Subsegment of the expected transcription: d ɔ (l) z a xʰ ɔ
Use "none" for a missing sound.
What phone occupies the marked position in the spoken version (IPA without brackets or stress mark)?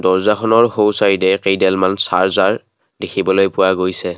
ɹ